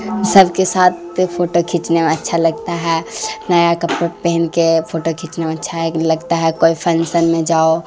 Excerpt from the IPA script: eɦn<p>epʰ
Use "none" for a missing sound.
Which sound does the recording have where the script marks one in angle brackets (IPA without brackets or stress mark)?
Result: k